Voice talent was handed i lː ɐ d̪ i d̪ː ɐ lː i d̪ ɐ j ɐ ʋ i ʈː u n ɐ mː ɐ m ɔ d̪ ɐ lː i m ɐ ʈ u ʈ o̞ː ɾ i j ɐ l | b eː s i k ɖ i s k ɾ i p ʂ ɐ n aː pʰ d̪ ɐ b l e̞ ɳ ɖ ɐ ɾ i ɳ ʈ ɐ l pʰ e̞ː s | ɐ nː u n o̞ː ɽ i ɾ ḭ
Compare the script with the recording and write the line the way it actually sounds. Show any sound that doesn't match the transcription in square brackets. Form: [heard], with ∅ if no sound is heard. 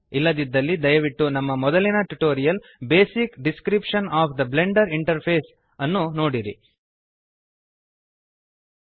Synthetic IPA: i lː ɐ d̪ i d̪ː ɐ lː i d̪ ɐ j ɐ ʋ i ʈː u n ɐ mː ɐ m ɔ d̪ ɐ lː i [n] ɐ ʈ u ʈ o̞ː ɾ i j ɐ l | b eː s i k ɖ i s k ɾ i p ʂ ɐ n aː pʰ d̪ ɐ b l e̞ ɳ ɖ ɐ ɾ i ɳ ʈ ɐ [ɾ] pʰ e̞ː s | ɐ nː u n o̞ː ɽ i ɾ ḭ